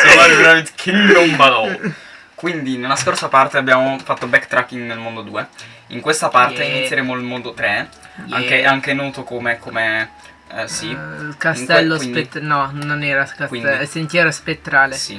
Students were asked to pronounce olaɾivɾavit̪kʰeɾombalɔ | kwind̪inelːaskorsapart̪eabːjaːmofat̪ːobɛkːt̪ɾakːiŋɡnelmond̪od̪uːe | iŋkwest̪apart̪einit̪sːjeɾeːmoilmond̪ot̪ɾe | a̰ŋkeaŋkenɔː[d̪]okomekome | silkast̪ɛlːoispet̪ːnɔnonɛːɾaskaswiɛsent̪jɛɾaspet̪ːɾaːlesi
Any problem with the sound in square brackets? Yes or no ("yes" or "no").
yes